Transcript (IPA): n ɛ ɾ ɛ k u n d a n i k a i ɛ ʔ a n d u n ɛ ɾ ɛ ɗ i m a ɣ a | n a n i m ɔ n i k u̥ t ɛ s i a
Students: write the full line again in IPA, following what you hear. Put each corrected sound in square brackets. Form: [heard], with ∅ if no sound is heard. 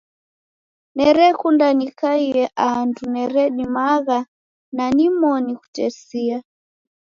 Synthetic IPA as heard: n ɛ ɾ ɛ k u n d a n i k a i ɛ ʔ a n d u n ɛ ɾ ɛ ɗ i m a ɣ a | n a n i m ɔ n i k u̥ t ɛ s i a